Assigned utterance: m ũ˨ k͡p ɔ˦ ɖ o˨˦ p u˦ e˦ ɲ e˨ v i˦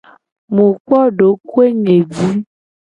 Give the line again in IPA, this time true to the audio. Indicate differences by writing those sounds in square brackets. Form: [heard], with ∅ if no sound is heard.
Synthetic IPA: m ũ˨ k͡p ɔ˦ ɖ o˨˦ [k] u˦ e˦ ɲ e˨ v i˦